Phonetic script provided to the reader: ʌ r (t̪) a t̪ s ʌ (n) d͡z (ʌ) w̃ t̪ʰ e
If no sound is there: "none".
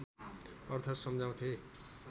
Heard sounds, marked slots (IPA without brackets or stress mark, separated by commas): t̪ʰ, m, a